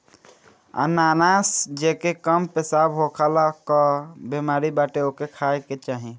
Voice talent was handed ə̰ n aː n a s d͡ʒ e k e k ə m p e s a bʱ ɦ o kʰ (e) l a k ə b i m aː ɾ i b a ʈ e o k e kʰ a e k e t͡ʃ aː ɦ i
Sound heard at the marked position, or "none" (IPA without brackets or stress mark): a